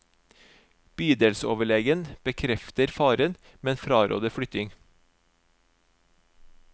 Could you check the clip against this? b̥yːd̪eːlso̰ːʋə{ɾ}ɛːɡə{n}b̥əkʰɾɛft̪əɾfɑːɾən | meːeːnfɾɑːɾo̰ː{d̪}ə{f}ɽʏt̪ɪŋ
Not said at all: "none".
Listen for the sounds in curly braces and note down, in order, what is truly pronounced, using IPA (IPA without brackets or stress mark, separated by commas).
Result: ɭ, n, d̪, f